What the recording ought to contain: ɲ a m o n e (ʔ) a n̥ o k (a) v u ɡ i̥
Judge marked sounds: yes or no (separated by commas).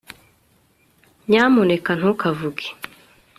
no, yes